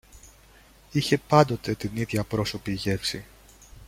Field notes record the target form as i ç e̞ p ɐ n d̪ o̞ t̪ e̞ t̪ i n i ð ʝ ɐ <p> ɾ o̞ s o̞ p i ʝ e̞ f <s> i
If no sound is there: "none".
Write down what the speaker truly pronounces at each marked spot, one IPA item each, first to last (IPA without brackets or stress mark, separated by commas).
p, s